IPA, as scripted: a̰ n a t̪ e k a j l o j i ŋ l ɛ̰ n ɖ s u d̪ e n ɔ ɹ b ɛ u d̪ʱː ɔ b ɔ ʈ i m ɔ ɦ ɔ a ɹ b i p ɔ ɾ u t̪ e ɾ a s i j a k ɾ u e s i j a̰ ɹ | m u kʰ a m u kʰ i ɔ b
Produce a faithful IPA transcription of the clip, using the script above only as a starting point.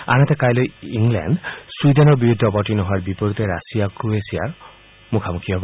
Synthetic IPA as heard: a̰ n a t̪ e k a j l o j i ŋ l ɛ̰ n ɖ s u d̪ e n ɔ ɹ b i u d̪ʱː ɔ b ɔ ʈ i n ɔ ɦ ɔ a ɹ b i p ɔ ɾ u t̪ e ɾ a s i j a k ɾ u e s i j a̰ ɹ | m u kʰ a m u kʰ i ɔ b